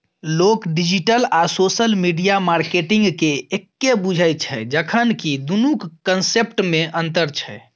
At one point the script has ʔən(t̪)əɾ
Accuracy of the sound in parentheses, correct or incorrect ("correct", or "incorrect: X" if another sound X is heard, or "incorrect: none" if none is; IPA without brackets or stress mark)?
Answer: correct